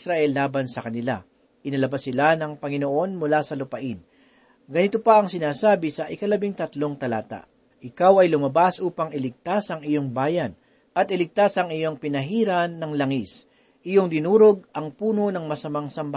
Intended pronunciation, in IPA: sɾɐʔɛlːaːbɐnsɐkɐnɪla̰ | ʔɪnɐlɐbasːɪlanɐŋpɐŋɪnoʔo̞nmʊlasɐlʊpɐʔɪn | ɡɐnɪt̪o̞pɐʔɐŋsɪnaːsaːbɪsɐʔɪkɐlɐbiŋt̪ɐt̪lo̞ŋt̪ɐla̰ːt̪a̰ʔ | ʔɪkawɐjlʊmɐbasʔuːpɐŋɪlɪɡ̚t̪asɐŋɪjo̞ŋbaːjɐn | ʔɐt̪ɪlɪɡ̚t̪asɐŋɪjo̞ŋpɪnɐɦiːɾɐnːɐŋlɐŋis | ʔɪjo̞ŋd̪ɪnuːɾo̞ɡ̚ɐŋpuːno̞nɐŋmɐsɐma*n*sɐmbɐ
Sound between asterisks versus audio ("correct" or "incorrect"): incorrect